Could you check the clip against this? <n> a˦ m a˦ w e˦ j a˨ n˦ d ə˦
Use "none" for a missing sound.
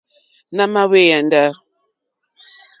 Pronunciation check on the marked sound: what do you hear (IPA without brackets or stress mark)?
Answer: n